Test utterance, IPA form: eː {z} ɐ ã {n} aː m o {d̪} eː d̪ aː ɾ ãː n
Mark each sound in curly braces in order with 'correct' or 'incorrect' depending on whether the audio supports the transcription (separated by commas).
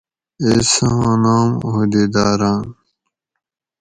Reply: incorrect, correct, correct